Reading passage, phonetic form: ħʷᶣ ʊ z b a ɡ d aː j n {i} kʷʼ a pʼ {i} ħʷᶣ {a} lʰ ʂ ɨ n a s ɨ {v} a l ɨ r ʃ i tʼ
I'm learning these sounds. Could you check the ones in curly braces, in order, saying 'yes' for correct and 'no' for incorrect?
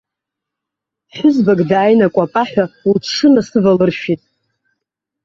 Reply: no, no, yes, yes

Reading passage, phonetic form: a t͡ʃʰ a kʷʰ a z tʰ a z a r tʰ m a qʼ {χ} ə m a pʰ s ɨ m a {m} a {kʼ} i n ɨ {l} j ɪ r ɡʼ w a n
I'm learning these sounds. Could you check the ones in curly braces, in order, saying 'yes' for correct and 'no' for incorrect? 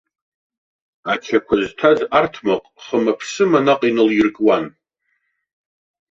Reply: yes, no, no, yes

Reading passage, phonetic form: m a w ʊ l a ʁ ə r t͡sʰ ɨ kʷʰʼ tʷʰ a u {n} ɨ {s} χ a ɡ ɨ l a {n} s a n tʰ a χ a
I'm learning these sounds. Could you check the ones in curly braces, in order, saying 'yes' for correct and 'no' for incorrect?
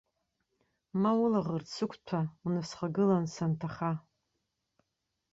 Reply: yes, yes, yes

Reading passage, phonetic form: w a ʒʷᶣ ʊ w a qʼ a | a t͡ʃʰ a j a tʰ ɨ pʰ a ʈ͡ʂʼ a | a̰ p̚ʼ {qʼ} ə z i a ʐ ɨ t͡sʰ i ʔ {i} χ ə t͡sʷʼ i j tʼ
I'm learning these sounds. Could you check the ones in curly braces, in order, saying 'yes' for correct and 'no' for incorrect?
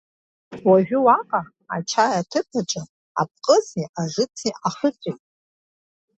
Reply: yes, no

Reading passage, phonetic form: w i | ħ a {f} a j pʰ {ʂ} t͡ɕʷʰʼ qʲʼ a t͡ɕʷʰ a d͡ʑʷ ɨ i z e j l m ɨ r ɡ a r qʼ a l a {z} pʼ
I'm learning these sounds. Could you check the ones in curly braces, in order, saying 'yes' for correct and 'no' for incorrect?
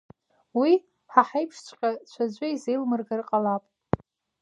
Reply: no, yes, no

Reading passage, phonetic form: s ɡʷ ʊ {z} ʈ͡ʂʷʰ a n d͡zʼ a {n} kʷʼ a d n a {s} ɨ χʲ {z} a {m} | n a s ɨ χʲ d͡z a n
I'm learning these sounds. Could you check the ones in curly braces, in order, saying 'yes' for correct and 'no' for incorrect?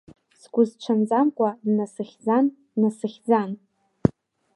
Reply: yes, no, yes, no, no

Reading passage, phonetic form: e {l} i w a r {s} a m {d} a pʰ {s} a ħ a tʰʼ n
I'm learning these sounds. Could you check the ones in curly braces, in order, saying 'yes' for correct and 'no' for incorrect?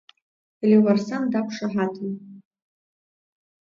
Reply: yes, yes, yes, no

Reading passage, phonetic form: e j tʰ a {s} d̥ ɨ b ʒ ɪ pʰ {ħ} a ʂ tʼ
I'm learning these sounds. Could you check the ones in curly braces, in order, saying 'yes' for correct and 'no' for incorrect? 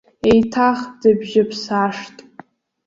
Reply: no, no

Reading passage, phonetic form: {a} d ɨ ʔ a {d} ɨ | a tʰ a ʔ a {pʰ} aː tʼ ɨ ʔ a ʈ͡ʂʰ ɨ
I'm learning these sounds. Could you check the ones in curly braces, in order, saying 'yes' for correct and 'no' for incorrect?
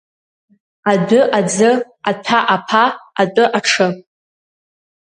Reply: yes, no, yes

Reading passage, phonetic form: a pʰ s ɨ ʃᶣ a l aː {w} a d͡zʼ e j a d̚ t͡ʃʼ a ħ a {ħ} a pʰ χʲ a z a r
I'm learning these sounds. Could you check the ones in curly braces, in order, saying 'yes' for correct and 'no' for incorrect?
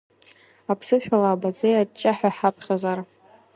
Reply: no, yes

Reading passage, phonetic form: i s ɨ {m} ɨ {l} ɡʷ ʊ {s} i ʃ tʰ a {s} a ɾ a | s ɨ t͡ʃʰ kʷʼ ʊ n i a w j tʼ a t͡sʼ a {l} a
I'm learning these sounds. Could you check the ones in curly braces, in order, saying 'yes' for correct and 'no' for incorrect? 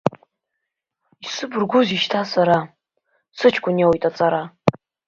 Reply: no, no, no, yes, no

